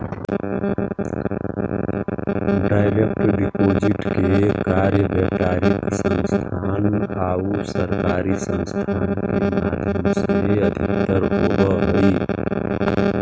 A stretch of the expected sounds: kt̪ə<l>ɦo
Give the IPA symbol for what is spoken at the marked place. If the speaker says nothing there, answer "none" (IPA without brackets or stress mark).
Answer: ɾ